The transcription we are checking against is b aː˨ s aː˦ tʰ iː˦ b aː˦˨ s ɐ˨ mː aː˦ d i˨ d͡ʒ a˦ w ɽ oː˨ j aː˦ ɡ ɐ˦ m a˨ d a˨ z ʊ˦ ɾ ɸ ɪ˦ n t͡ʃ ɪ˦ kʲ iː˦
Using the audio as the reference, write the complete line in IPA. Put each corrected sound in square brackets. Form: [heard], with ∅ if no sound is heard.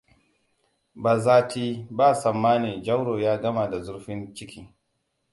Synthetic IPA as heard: b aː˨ [z] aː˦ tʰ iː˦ b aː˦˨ s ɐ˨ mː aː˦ [n] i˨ d͡ʒ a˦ w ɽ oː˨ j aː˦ ɡ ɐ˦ m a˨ d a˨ z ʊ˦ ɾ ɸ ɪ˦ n t͡ʃ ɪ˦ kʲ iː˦